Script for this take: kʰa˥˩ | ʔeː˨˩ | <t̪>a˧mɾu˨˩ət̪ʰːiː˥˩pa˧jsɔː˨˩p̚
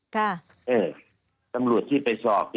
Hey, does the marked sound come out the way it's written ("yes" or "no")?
yes